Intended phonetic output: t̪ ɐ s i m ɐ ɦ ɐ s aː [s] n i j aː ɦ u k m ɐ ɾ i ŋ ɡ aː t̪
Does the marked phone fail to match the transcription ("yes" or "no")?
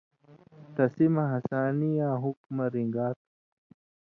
yes